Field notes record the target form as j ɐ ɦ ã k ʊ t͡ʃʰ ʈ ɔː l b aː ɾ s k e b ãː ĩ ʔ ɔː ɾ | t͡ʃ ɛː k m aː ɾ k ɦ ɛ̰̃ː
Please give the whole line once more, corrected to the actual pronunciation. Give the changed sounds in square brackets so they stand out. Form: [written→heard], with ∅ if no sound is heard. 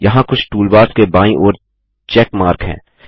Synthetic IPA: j ɐ ɦ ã k ʊ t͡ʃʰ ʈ [ɔː→uː] l b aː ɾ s k e b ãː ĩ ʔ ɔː ɾ | t͡ʃ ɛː k m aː ɾ k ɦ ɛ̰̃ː